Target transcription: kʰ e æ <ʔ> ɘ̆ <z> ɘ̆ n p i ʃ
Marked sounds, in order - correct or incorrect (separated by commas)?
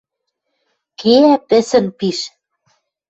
incorrect, incorrect